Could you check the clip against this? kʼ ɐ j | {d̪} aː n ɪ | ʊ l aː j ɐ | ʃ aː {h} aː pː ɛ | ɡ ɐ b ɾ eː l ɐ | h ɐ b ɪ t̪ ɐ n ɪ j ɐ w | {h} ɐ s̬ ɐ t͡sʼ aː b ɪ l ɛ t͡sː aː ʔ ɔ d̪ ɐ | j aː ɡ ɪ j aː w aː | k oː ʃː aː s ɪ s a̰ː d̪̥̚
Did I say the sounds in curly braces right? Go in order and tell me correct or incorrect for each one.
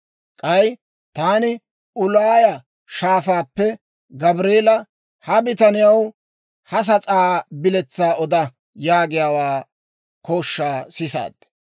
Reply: incorrect, incorrect, correct

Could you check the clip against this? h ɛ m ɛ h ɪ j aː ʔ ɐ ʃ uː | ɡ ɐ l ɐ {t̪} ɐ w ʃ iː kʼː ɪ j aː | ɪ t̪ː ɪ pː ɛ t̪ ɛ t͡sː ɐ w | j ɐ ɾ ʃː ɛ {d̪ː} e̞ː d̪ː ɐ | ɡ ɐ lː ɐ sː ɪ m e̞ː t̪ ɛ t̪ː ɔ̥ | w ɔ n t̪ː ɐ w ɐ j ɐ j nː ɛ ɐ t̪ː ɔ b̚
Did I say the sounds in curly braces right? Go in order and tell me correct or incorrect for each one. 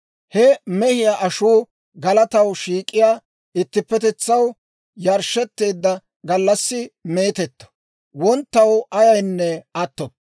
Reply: correct, incorrect

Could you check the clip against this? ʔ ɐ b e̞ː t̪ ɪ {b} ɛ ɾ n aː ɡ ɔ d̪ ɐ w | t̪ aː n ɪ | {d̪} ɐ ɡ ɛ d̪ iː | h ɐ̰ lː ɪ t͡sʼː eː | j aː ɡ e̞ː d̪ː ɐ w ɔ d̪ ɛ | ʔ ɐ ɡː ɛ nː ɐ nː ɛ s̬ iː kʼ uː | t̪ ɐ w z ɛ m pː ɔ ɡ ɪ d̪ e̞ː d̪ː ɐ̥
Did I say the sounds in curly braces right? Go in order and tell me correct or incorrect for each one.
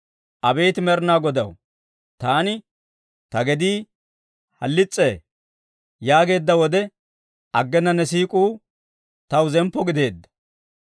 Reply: incorrect, incorrect

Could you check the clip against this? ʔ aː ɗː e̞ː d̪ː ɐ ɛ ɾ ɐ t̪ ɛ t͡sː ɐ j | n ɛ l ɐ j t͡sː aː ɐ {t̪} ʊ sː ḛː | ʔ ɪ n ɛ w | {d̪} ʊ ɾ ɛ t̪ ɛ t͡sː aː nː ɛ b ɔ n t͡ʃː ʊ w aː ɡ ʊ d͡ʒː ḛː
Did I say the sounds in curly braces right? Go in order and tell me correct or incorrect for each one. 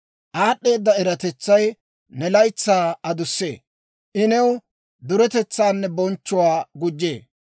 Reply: incorrect, correct

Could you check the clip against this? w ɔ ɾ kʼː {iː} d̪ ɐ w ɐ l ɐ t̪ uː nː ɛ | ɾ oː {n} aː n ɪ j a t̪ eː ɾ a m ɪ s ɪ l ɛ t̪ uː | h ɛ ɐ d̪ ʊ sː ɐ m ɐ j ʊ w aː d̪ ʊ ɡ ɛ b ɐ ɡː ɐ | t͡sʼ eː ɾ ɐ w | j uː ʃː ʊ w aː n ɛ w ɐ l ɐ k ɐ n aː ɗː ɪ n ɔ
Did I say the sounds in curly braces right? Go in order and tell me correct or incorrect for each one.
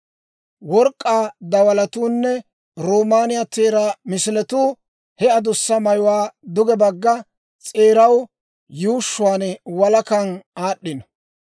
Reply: incorrect, incorrect

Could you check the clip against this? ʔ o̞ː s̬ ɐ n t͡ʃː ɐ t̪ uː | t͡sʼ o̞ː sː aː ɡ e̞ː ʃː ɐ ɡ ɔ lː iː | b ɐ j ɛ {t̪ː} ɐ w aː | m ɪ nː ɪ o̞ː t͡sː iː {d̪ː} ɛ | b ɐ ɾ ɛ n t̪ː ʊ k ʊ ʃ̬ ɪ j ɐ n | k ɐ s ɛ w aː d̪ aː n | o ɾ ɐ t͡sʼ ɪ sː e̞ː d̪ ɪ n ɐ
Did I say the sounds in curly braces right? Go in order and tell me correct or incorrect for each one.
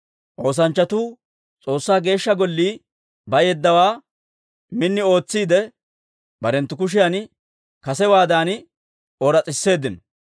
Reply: incorrect, incorrect

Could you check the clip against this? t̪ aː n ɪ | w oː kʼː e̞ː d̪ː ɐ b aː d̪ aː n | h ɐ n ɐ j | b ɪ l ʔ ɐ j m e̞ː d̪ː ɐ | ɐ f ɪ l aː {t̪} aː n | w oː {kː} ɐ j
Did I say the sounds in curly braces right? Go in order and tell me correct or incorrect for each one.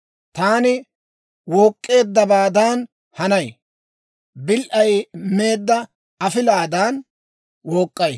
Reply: incorrect, incorrect

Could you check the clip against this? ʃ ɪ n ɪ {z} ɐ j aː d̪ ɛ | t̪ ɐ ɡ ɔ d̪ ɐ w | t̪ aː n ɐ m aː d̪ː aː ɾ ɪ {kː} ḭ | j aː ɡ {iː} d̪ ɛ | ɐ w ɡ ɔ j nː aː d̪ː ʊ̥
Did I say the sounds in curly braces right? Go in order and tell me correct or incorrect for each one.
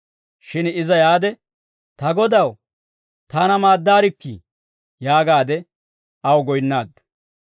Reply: correct, correct, incorrect

